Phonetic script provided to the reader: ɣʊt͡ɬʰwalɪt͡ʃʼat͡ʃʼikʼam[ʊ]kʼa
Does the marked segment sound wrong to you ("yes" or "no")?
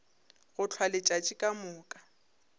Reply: yes